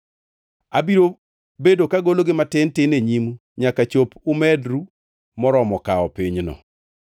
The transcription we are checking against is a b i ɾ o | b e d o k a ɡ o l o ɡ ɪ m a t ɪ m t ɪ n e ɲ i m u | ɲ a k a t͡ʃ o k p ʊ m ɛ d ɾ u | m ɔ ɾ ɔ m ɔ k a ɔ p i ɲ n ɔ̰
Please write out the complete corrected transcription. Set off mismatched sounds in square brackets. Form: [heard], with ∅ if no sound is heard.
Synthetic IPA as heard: a b i ɾ o | b e d o k a ɡ o l o ɡ ɪ m a t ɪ [n] t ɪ n e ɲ i m u | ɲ a k a t͡ʃ o [∅] p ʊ m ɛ d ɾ u | m ɔ ɾ ɔ m ɔ k a ɔ p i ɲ n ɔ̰

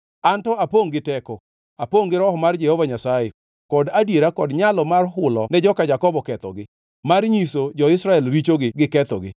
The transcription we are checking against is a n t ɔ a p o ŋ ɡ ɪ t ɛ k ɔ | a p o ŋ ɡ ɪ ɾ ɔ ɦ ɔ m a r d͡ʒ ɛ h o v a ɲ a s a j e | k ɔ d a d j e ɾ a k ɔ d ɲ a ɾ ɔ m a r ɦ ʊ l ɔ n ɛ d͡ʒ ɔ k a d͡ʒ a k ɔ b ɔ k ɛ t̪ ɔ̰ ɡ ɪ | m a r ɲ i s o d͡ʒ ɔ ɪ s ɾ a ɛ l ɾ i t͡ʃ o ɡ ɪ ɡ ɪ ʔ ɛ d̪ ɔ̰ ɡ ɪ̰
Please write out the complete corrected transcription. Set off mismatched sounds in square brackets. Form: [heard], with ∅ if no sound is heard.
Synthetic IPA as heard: a n t ɔ a p o ŋ ɡ ɪ t ɛ k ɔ | a p o ŋ ɡ ɪ ɾ ɔ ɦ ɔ m a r d͡ʒ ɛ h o v a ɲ a s a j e | k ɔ d a d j e ɾ a k ɔ d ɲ a [l] ɔ m a r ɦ ʊ l ɔ n ɛ d͡ʒ ɔ k a d͡ʒ a k ɔ b ɔ k ɛ t̪ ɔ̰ ɡ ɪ | m a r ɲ i s o d͡ʒ ɔ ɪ s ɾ a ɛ l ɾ i t͡ʃ o ɡ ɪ ɡ ɪ [k] ɛ [t̪] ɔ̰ ɡ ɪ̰

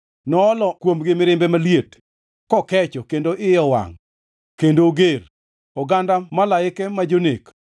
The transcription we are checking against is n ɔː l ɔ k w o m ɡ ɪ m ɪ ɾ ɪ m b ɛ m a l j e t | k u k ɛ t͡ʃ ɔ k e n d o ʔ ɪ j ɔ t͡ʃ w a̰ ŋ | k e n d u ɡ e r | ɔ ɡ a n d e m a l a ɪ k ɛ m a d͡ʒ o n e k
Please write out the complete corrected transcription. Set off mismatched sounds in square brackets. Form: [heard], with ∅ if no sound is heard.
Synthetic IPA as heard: n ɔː l ɔ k w o m ɡ ɪ m ɪ ɾ ɪ m b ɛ m a l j e t | k [ɔ] k ɛ t͡ʃ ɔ k e n d o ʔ ɪ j ɔ [∅] w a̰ ŋ | k e n d [o] ɡ e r | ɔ ɡ a n d [a] m a l a ɪ k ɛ m a d͡ʒ o n e k

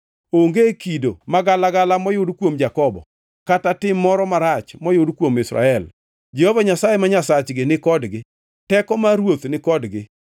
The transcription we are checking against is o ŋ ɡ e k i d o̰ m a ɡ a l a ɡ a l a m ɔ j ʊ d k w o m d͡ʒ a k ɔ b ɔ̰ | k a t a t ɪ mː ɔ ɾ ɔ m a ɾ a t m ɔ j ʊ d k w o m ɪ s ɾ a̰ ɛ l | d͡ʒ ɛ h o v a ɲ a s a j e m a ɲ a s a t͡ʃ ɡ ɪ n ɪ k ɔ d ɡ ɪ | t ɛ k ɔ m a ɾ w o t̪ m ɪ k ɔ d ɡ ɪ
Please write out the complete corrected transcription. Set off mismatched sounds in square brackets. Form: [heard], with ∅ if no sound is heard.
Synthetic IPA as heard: o ŋ ɡ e k i d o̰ m a ɡ a l a ɡ a l a m ɔ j ʊ d k w o m d͡ʒ a k ɔ b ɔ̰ | k a t a t ɪ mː ɔ ɾ ɔ m a ɾ a [t͡ʃ] m ɔ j ʊ d k w o m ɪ s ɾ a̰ ɛ l | d͡ʒ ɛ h o v a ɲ a s a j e m a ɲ a s a t͡ʃ ɡ ɪ n ɪ k ɔ d ɡ ɪ | t ɛ k ɔ m a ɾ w o t̪ [n] ɪ k ɔ d ɡ ɪ

